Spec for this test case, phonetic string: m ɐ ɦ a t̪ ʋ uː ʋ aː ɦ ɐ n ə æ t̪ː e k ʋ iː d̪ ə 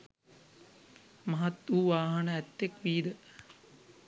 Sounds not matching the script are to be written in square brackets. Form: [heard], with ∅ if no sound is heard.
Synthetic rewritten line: m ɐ ɦ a t̪ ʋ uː ʋ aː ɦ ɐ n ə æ t̪ː e k ʋ iː d̪ ə